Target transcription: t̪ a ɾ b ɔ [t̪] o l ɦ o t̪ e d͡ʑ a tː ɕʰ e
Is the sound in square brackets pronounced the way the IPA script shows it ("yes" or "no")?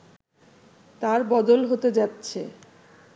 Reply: no